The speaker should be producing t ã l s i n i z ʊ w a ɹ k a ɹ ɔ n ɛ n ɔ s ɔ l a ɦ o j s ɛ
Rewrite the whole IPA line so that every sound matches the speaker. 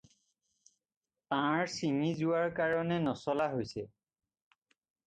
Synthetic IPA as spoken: t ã ɹ s i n i z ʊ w a ɹ k a ɹ ɔ n ɛ n ɔ s ɔ l a ɦ o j s ɛ